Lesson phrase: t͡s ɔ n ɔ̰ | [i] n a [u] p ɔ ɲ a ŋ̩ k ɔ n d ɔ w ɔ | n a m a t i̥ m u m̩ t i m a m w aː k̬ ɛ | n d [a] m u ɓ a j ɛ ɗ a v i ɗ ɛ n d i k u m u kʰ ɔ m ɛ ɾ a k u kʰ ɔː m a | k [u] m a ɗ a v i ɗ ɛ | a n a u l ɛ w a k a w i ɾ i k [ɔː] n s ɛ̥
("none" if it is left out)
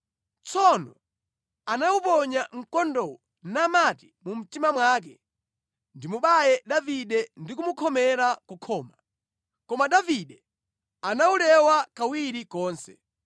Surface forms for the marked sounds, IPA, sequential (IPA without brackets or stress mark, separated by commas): a, u, i, ɔ, ɔː